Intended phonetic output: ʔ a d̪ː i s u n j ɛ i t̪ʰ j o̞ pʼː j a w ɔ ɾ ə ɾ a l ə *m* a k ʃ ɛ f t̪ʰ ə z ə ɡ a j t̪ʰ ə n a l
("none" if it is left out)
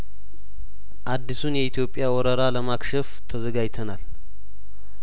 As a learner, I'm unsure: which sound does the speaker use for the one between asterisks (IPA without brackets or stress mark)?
m